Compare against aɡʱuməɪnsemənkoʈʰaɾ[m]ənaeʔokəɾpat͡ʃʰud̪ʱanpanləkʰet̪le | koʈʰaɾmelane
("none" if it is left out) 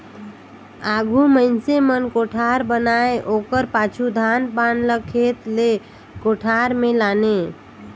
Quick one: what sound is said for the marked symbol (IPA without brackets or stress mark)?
b